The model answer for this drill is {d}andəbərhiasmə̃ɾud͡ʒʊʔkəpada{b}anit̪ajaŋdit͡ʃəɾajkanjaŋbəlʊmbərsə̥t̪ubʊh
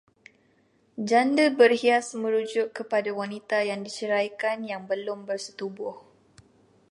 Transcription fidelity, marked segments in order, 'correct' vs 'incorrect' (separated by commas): incorrect, incorrect